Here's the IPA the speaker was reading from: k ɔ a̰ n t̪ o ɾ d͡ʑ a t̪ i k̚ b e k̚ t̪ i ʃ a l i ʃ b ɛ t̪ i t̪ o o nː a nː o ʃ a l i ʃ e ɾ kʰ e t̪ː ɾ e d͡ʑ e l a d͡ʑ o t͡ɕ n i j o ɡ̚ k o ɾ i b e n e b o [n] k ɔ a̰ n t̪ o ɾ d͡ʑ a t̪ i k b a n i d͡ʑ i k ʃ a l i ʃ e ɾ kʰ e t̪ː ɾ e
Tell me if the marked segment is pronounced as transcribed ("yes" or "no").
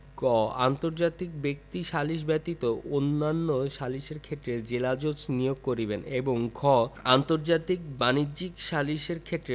no